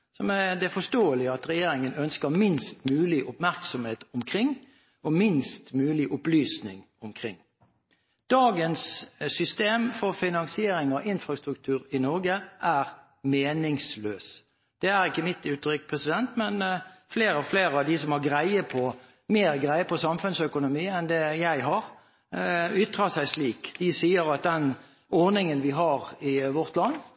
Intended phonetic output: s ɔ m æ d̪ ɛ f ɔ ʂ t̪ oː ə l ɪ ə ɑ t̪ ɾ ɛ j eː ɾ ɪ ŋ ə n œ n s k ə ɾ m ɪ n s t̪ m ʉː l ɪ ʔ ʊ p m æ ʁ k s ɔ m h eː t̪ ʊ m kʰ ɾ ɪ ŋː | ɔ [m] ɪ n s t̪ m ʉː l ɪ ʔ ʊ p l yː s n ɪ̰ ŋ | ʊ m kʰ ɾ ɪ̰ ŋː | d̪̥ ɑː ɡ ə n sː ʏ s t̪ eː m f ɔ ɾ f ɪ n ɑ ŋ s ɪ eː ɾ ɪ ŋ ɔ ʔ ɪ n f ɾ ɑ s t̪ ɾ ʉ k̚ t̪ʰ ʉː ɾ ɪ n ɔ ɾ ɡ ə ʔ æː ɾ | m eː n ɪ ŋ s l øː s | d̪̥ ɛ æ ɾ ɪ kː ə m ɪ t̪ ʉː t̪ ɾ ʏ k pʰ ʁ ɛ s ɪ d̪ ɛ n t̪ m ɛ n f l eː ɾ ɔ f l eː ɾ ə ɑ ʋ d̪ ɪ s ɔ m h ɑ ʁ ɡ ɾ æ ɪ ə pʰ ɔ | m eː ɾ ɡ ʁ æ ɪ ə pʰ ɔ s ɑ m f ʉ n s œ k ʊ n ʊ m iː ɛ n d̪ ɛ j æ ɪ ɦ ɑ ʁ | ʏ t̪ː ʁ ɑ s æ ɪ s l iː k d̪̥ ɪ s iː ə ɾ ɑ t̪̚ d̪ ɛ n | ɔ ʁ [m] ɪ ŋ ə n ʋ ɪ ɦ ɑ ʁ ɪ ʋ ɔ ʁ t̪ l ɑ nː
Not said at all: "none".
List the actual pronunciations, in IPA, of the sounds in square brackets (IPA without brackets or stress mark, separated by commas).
m, n